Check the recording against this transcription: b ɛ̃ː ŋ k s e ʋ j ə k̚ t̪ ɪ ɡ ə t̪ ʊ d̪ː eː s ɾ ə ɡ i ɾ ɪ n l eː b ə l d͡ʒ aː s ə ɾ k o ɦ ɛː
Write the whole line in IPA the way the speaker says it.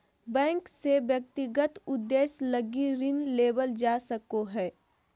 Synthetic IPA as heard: b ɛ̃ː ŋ k s e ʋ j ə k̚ t̪ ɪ ɡ ə t̪ ʊ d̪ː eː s l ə ɡ i ɾ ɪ n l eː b ə l d͡ʒ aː s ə k o ɦ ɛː

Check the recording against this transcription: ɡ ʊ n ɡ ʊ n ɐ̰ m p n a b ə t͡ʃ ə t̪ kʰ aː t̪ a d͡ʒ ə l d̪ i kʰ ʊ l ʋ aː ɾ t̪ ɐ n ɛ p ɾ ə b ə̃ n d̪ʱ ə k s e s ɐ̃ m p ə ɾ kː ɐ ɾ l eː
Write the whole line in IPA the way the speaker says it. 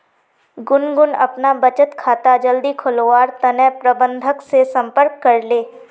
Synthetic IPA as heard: ɡ ʊ n ɡ ʊ n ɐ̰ p n a b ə t͡ʃ ə t̪ kʰ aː t̪ a d͡ʒ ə l d̪ i kʰ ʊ l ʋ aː ɾ t̪ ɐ n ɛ p ɾ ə b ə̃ n d̪ʱ ə k s e s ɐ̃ m p ə ɾ kː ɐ ɾ l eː

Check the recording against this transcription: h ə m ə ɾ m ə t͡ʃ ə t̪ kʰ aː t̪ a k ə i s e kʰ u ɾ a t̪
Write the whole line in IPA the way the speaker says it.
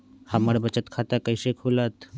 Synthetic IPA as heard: h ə m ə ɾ b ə t͡ʃ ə t̪ kʰ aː t̪ a k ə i s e kʰ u l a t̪

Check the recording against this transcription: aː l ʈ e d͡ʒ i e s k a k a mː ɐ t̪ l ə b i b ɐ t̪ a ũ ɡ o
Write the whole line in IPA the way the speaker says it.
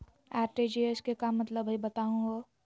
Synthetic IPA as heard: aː ɾ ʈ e d͡ʒ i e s k e k a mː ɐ t̪ l ə b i b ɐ t̪ a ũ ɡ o

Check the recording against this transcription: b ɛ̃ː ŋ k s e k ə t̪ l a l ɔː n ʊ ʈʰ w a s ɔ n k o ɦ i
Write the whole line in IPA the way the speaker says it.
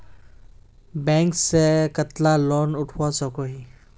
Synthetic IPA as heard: b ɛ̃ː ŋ k s e k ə t̪ l a l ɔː n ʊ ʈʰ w a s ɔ k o ɦ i

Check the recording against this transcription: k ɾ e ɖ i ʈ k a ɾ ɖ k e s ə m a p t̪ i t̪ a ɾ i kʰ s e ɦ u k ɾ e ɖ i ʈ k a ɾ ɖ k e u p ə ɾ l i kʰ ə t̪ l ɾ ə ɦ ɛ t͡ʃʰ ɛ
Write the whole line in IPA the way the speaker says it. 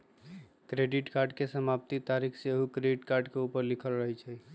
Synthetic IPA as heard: k ɾ e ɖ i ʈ k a ɾ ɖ k e s ə m a p t̪ i t̪ a ɾ i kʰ s e ɦ u k ɾ e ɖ i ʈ k a ɾ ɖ k e u p ə ɾ l i kʰ ə l ɾ ə ɦ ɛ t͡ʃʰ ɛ

